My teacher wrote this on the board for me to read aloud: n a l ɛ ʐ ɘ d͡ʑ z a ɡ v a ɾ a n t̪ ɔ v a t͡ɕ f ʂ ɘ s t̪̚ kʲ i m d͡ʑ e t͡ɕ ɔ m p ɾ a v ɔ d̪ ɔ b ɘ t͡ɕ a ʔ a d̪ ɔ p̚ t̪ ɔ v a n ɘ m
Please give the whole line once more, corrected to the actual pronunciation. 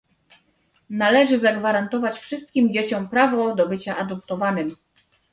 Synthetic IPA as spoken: n a l ɛ ʐ ɘ z a ɡ v a ɾ a n t̪ ɔ v a t͡ɕ f ʂ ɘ s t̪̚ kʲ i m d͡ʑ e t͡ɕ ɔ m p ɾ a v ɔ d̪ ɔ b ɘ t͡ɕ a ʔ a d̪ ɔ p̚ t̪ ɔ v a n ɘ m